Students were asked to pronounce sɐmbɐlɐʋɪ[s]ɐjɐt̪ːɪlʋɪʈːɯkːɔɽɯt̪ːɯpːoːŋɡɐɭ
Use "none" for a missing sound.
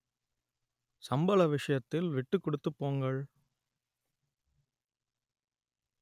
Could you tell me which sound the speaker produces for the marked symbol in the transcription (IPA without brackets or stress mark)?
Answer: ʂ